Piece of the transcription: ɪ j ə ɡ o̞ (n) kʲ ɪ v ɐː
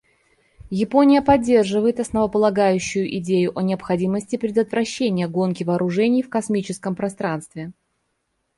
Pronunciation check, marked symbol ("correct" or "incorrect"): correct